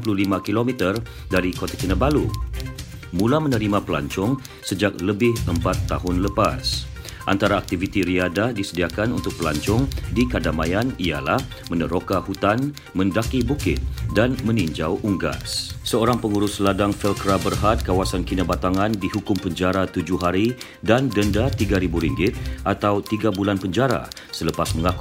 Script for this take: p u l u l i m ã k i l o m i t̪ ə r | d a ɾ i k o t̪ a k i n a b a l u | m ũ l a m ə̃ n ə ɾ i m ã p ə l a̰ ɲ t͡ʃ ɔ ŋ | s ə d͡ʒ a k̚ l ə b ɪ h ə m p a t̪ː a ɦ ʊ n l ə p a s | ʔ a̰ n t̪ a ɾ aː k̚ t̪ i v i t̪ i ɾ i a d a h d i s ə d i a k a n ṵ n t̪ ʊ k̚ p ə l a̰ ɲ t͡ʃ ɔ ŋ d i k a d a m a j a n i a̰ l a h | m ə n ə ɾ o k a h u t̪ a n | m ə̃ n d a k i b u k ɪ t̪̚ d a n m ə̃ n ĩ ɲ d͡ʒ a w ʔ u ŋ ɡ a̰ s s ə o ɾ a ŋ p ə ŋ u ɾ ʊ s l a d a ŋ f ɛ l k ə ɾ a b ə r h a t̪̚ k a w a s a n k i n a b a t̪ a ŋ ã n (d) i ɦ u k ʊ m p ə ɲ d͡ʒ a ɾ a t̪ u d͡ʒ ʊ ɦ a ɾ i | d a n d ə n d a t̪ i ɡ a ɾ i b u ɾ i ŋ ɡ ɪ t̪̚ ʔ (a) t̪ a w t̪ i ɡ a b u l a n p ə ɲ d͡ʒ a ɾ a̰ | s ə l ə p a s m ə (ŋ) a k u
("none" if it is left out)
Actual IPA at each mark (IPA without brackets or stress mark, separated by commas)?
d, a, ŋ